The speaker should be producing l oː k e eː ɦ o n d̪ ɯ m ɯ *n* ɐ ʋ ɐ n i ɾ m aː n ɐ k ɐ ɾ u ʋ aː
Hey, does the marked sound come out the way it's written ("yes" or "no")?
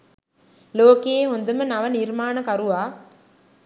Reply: yes